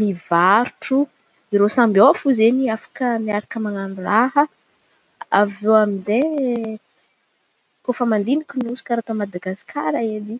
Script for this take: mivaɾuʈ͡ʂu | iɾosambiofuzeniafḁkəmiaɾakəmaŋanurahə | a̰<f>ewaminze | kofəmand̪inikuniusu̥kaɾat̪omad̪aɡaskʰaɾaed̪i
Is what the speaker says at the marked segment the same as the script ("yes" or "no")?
no